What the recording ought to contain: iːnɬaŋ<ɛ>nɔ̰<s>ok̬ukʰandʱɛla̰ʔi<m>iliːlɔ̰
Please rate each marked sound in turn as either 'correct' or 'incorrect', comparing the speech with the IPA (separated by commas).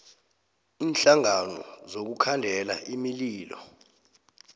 incorrect, incorrect, correct